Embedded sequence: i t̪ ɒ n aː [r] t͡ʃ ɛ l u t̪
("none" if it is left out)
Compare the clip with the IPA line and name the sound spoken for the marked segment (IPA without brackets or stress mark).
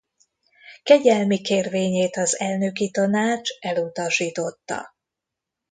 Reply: none